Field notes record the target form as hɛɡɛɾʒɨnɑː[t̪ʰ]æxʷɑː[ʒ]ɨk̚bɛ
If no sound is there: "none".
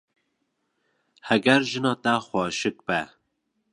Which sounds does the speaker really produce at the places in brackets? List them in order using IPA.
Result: t̪, ʃ

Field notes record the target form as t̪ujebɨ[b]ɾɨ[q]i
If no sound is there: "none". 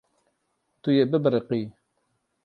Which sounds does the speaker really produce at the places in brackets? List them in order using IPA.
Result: b, q

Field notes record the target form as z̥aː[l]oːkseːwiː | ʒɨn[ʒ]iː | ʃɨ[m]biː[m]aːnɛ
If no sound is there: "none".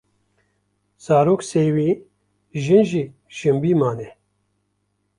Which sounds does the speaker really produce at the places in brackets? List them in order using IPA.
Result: ɾ, ʒ, m, m

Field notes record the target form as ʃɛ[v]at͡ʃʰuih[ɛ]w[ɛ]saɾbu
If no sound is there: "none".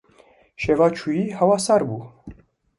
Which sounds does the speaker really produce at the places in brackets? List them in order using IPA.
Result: v, a, a

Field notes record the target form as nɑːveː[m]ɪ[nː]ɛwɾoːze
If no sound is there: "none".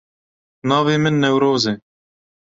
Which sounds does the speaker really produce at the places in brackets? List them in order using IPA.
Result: m, nː

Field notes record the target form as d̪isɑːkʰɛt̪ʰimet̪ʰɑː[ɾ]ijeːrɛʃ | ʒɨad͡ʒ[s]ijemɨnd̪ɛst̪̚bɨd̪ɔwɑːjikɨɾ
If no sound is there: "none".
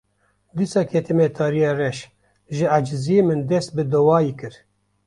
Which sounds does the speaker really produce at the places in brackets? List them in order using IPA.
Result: ɾ, z

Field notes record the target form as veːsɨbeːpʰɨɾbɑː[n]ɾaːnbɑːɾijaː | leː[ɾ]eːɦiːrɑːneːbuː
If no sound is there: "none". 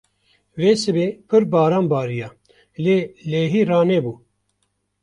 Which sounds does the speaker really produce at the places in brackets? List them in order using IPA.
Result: none, l

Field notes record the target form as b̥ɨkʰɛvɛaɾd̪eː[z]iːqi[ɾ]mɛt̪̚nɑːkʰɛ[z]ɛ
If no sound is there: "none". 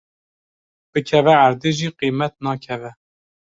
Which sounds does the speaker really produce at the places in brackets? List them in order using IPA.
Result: ʒ, none, v

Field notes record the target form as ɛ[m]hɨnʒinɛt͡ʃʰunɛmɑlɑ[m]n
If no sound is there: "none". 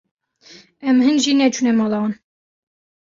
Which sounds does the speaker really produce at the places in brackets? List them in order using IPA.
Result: m, none

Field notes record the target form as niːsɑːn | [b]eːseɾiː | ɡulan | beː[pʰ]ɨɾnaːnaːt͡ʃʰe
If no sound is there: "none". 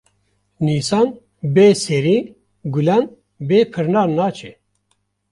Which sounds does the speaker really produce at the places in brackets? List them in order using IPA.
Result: b, pʰ

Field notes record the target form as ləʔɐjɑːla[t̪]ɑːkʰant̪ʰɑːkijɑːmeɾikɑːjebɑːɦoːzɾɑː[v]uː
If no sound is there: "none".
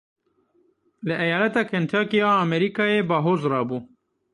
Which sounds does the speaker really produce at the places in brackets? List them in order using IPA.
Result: t̪, b

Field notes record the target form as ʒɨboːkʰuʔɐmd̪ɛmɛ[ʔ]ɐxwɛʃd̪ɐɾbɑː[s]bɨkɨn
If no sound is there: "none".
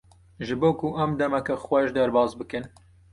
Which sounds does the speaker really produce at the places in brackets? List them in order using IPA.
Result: k, z

